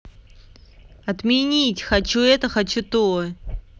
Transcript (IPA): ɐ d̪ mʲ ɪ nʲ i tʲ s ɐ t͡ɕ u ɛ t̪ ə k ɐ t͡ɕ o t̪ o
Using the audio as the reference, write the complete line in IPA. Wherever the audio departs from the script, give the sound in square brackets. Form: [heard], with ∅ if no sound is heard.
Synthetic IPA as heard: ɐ [t̪] mʲ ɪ nʲ i tʲ [x] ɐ t͡ɕ u ɛ t̪ ə [x] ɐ t͡ɕ [u] t̪ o